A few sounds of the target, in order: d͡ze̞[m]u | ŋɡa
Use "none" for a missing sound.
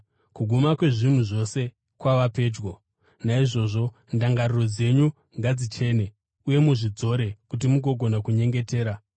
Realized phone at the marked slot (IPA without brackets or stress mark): ɲ